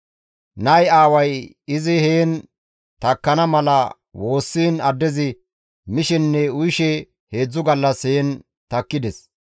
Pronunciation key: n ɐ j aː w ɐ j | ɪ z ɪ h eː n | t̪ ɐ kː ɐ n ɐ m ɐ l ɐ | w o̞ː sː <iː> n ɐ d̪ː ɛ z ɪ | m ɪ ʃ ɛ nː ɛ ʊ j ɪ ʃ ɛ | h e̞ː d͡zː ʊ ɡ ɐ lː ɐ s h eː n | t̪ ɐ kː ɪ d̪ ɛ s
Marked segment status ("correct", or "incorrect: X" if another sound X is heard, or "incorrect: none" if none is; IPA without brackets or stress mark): correct